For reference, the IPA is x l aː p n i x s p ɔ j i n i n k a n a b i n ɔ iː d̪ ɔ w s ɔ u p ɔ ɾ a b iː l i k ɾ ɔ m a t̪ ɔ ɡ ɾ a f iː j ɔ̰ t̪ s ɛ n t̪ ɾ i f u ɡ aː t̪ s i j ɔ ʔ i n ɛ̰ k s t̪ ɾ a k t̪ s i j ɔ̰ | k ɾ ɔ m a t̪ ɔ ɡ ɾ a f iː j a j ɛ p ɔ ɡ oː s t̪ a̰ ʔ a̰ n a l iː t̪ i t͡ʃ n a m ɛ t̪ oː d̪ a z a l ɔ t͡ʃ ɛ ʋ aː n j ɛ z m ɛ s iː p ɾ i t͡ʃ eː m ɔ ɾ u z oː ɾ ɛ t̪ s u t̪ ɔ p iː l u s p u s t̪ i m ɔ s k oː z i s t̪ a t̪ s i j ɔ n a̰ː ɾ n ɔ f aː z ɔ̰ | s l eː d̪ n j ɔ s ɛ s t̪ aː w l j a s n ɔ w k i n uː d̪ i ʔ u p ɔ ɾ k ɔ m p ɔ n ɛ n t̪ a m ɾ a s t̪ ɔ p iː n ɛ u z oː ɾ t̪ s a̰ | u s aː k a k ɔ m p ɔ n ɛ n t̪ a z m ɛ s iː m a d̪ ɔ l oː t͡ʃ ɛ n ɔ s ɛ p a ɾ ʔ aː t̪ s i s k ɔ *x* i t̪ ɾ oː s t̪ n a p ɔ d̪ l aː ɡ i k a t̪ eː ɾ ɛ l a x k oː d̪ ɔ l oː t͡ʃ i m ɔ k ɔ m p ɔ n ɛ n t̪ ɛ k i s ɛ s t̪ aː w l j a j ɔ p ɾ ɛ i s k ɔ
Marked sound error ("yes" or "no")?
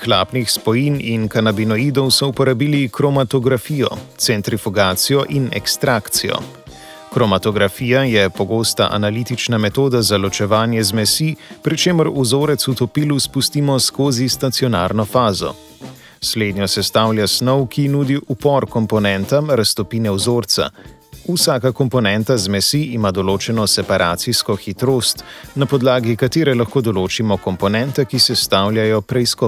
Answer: no